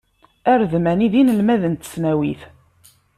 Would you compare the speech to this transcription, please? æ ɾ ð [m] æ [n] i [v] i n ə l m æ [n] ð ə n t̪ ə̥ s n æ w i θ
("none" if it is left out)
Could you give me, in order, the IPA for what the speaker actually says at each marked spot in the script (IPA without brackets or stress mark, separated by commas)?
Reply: m, n, ð, none